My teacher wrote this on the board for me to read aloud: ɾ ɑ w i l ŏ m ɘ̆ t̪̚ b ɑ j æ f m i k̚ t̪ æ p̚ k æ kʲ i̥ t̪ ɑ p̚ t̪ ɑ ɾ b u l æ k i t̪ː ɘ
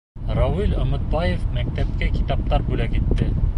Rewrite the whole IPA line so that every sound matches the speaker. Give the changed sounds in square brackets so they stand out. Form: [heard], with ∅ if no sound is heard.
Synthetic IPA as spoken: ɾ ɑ w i l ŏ m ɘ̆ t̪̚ b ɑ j [e] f m [æ] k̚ t̪ æ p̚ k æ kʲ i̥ t̪ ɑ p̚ t̪ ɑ ɾ b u l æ k i t̪ː ɘ